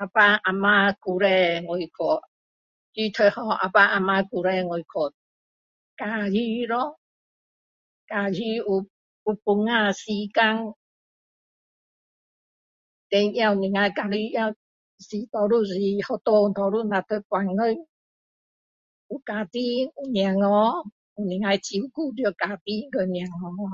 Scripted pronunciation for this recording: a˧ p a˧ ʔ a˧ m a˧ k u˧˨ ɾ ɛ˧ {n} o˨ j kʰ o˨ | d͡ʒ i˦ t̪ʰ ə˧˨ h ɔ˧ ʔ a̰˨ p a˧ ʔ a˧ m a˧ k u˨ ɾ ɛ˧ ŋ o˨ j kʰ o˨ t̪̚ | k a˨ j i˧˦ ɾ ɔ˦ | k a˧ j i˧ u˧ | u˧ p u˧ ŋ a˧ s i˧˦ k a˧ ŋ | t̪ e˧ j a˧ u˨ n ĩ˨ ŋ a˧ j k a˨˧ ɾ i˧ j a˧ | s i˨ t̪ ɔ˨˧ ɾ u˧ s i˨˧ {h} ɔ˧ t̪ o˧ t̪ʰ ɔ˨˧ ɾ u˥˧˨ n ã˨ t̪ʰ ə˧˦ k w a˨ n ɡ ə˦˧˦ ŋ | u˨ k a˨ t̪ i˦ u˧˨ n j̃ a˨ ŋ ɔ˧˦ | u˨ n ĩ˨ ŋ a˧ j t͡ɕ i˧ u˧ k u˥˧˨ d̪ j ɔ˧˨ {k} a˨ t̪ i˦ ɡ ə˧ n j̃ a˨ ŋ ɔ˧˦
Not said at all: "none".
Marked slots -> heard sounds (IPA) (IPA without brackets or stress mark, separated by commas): ŋ, h, k